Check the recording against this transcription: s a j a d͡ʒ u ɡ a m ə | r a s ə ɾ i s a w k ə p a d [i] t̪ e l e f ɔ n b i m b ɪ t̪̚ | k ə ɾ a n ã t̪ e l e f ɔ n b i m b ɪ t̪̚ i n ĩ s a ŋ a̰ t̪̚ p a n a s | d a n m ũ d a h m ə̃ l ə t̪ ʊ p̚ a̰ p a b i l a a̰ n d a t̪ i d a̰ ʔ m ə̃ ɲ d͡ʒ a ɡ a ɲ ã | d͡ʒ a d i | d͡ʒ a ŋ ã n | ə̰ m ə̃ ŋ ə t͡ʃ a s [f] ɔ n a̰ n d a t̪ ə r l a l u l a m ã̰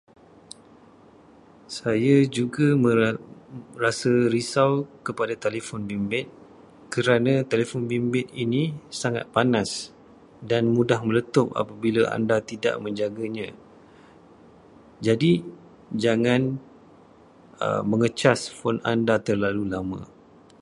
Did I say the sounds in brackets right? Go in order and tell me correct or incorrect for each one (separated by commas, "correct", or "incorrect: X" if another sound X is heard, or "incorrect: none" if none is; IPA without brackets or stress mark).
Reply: incorrect: a, correct